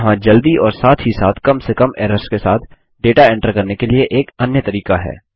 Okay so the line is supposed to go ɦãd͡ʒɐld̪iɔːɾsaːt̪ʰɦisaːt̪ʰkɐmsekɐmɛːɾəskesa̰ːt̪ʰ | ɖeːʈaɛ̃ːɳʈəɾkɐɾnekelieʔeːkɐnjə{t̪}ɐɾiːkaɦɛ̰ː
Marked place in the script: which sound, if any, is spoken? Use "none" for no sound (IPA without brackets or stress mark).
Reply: t̪